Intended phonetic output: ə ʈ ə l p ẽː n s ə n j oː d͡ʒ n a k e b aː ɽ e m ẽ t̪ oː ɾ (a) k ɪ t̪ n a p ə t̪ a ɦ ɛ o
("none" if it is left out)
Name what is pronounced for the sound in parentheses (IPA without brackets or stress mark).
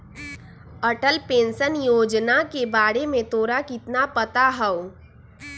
a